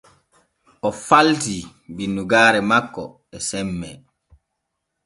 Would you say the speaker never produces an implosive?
yes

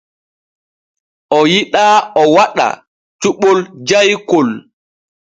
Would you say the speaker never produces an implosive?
no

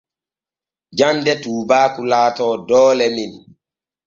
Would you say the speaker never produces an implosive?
yes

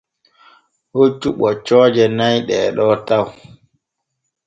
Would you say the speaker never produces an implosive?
no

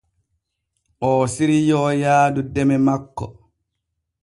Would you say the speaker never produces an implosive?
yes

